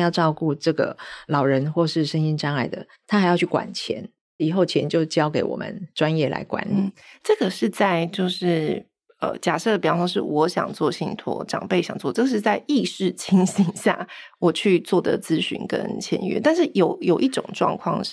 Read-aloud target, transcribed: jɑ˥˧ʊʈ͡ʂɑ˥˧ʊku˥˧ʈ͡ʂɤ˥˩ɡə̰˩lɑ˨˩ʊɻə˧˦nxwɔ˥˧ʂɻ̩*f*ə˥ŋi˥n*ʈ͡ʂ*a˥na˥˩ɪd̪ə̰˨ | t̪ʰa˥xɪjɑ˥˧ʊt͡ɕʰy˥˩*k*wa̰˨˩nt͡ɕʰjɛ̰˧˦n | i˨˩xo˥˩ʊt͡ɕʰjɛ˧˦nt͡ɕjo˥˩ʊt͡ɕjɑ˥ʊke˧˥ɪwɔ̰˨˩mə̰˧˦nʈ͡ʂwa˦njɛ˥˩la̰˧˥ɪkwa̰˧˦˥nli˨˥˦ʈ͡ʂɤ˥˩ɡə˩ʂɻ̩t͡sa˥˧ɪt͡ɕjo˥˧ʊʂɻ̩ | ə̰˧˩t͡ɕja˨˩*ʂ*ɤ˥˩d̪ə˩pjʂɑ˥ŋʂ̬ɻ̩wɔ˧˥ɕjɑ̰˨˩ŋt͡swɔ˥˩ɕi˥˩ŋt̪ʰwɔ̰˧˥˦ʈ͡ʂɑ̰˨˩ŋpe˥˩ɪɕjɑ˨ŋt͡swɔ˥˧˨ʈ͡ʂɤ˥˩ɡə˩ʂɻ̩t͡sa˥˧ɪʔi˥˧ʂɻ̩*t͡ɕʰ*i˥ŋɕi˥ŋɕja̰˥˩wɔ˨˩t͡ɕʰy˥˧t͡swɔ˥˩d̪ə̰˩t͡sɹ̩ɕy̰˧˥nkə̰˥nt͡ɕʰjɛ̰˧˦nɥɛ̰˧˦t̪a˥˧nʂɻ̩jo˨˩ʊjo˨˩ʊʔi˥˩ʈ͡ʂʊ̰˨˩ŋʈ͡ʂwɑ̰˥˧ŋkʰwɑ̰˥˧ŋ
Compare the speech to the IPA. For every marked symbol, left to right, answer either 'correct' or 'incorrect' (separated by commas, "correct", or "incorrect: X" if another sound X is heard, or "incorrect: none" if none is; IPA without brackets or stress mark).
incorrect: ʂ, correct, correct, correct, correct